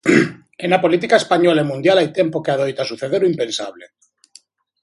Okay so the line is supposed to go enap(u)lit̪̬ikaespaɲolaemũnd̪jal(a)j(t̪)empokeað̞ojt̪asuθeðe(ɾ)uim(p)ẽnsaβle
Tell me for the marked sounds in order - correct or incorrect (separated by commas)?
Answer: incorrect, correct, correct, correct, correct